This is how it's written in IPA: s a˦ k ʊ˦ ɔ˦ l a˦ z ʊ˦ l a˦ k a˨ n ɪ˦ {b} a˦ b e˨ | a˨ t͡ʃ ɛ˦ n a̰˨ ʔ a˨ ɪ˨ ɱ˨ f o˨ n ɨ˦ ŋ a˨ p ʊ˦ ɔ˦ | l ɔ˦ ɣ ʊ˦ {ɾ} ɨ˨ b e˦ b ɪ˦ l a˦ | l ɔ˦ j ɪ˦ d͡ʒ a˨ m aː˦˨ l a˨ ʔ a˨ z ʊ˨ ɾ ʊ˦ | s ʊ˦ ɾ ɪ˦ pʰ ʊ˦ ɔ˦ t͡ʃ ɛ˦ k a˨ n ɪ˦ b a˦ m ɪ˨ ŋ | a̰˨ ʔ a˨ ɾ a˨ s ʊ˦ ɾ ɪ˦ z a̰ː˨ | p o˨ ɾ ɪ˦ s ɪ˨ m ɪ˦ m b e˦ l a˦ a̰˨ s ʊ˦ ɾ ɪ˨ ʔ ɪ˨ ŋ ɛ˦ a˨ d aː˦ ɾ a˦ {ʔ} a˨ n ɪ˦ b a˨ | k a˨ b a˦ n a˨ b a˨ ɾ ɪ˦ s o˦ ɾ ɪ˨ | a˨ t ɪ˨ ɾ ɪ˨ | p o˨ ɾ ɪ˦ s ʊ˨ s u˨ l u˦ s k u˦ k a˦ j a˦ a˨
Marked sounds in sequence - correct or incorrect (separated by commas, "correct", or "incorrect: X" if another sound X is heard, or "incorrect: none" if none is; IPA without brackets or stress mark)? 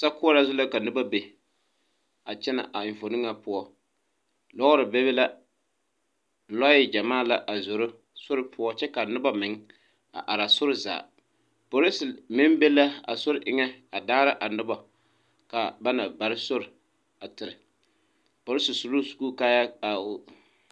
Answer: correct, correct, correct